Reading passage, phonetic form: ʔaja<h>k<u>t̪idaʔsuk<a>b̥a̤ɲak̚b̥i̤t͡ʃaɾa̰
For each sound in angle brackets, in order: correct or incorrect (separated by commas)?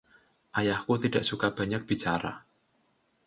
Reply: correct, correct, correct